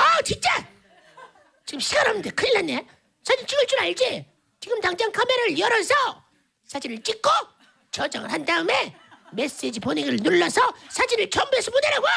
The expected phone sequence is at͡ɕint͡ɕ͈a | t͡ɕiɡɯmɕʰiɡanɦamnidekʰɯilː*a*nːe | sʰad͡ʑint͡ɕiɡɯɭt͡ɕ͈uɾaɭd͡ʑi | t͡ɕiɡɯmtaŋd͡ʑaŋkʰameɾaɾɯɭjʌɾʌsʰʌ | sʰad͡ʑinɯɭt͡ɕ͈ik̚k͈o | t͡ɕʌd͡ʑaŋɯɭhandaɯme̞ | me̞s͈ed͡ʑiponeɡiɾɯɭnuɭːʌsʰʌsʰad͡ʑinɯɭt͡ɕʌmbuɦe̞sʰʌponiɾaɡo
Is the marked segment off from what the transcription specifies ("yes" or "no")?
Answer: no